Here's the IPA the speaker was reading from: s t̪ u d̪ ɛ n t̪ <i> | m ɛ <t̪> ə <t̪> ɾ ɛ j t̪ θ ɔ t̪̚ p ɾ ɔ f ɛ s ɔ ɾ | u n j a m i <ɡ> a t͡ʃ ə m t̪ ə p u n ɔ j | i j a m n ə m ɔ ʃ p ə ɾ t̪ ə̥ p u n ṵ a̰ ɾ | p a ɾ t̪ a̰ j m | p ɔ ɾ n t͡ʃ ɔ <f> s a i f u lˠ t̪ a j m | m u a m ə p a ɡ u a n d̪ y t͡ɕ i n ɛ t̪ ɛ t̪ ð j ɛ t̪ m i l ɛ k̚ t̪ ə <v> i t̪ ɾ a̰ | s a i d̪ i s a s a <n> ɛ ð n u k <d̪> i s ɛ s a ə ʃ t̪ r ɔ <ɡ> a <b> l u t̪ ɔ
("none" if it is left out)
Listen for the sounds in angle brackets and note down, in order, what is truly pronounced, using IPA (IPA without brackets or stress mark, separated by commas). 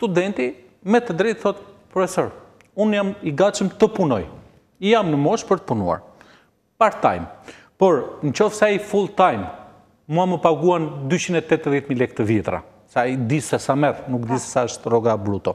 i, t̪, d̪, ɡ, f, v, m, d̪, ɡ, b